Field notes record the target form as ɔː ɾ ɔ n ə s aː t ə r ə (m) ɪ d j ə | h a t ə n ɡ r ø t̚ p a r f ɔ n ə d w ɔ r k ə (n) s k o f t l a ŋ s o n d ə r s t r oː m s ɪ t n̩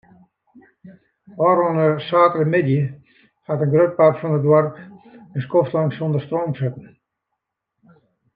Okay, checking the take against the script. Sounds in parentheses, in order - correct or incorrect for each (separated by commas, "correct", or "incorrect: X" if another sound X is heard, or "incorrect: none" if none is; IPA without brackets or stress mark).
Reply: correct, correct